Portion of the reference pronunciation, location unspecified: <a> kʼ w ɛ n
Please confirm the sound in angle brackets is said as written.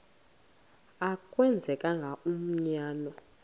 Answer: yes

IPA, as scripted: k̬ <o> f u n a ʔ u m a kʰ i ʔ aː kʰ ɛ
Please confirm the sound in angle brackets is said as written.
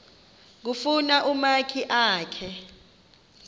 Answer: no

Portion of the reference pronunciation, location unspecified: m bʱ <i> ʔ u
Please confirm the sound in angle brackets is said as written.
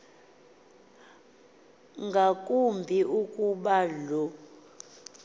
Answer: yes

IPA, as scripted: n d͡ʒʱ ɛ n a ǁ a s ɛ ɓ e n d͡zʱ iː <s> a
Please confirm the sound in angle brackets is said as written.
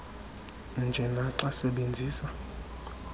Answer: yes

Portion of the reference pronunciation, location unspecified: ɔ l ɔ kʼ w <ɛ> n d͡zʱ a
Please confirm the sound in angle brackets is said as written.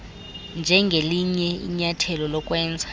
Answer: no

